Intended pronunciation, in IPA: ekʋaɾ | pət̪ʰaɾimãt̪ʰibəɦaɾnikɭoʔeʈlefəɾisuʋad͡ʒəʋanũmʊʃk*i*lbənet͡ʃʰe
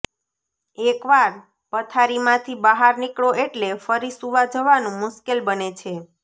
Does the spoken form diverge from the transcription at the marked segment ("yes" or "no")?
yes